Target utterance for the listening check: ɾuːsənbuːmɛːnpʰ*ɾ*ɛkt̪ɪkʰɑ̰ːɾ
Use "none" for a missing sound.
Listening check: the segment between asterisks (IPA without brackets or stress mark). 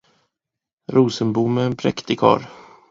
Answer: ɾ